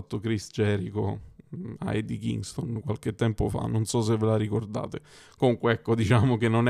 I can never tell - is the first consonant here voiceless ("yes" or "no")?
yes